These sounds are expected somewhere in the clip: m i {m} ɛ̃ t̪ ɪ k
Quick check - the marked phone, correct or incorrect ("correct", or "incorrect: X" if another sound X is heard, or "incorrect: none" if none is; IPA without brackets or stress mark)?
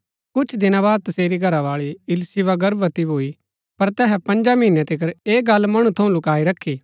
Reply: incorrect: n